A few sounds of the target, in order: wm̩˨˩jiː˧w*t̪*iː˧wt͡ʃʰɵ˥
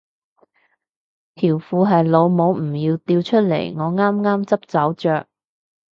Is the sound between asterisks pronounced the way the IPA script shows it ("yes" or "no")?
yes